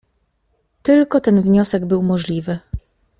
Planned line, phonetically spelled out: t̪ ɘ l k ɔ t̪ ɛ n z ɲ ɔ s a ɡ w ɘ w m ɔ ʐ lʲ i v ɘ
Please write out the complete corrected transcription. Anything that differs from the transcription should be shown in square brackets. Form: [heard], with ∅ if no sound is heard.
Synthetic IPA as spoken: t̪ ɘ l k ɔ t̪ ɛ n [v] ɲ ɔ s [ɛ] ɡ [b] ɘ w m ɔ ʐ lʲ i v ɘ